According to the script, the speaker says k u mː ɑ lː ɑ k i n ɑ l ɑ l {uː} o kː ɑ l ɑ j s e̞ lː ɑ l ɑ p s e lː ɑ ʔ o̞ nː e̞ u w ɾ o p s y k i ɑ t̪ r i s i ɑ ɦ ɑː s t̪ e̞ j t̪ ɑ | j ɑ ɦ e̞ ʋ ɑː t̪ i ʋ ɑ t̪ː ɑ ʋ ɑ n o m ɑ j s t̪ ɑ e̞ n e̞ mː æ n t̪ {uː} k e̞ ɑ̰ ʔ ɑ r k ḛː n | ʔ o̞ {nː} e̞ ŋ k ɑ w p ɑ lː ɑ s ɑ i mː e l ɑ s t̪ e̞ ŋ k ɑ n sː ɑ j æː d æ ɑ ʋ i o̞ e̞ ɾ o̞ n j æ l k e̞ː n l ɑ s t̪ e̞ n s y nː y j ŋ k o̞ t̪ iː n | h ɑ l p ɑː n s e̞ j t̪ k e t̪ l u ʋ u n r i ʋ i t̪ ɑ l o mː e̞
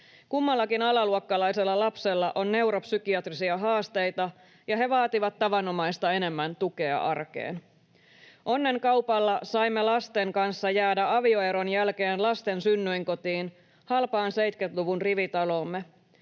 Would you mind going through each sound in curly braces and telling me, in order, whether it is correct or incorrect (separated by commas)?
incorrect, incorrect, correct